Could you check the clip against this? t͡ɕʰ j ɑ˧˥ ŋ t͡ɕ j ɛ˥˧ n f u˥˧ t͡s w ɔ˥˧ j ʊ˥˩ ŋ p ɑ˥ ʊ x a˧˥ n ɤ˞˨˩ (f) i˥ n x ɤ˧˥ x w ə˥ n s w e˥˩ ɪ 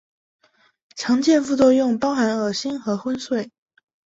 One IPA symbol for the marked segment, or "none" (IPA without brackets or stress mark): ɕ